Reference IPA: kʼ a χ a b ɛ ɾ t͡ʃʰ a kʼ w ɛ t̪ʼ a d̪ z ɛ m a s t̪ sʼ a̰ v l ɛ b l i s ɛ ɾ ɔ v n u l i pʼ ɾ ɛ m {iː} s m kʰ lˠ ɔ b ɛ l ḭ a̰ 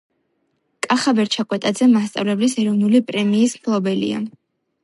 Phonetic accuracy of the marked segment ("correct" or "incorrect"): correct